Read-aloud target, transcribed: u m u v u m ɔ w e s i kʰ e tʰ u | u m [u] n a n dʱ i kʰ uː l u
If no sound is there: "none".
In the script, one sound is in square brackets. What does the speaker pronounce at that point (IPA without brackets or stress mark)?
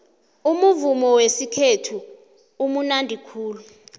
u